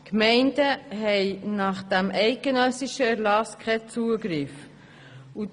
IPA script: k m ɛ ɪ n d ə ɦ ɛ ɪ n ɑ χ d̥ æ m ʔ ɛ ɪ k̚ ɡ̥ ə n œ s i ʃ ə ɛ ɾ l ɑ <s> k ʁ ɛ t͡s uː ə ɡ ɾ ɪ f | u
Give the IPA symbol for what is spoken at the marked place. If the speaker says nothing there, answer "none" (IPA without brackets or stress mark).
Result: s